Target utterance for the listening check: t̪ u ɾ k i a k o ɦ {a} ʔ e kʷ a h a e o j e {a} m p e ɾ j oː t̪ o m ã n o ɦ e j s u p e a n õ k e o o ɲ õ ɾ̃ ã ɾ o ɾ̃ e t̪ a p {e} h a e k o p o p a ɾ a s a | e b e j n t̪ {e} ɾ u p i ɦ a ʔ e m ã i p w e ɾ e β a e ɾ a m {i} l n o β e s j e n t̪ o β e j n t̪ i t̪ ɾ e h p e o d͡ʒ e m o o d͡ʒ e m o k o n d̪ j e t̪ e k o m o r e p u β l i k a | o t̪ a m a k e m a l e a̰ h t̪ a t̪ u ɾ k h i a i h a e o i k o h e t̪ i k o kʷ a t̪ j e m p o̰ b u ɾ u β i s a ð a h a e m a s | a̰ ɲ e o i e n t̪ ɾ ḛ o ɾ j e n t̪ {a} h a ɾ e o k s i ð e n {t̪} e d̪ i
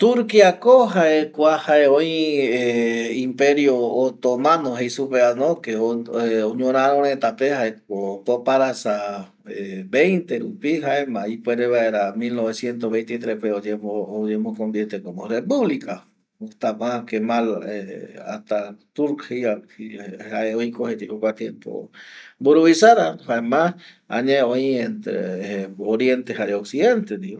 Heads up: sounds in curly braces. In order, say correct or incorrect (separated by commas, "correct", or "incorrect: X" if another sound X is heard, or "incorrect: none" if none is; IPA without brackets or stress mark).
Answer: correct, incorrect: i, correct, correct, correct, incorrect: e, correct